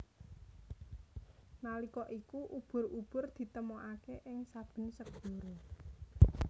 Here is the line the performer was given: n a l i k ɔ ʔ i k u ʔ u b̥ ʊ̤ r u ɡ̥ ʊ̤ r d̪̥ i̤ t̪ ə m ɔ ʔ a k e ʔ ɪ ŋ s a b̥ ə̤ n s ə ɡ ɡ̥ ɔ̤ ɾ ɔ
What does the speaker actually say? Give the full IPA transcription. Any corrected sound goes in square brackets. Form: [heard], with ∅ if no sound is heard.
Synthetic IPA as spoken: n a l i k ɔ ʔ i k u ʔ u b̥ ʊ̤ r u [b̥] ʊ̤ r d̪̥ i̤ t̪ ə m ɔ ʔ a k e ʔ ɪ ŋ s a b̥ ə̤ n s ə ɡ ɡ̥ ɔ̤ ɾ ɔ